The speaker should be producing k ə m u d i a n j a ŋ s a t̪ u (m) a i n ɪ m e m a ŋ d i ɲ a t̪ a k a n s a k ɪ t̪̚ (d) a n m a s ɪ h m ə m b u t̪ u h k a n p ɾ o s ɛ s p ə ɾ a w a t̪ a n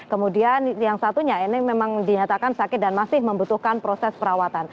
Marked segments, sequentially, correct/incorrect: incorrect: ɲ, correct

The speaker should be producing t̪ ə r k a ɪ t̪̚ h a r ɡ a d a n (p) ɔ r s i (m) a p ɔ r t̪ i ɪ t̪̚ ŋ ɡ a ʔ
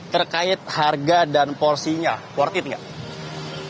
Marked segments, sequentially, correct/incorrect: correct, incorrect: ɲ

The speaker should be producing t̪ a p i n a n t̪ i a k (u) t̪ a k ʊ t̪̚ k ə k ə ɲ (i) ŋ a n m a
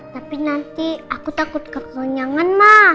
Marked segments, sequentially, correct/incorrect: correct, incorrect: a

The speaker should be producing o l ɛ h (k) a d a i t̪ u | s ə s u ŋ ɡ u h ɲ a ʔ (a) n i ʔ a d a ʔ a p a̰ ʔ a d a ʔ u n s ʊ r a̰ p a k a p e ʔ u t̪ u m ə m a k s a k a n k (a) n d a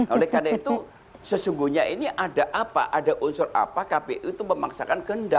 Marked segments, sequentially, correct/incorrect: correct, incorrect: i, incorrect: ə

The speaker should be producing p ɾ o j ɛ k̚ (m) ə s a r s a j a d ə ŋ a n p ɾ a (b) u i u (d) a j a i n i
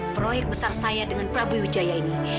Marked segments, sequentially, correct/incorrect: incorrect: b, correct, incorrect: d͡ʒ

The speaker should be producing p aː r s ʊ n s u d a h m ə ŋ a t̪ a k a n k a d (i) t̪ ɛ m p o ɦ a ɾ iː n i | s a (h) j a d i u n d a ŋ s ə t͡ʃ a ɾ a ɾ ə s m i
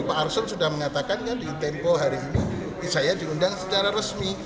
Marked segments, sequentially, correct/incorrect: correct, incorrect: none

